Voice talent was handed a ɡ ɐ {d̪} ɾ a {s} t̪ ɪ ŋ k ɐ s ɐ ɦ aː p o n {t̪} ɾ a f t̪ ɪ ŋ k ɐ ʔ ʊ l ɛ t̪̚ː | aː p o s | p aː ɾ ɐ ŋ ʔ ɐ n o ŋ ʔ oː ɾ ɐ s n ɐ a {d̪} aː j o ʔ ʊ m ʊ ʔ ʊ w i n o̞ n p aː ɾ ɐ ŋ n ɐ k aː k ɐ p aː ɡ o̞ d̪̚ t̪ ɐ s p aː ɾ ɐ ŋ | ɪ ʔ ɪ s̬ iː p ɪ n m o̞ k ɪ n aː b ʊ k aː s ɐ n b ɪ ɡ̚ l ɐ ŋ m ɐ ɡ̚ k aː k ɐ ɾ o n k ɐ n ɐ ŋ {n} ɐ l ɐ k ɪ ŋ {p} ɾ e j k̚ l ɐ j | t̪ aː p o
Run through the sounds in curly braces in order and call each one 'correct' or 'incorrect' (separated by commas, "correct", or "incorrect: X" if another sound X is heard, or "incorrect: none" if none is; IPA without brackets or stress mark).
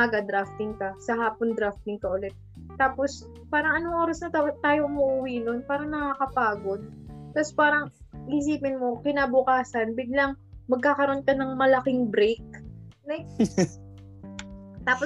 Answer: correct, incorrect: f, incorrect: d̪, incorrect: t̪, incorrect: m, incorrect: b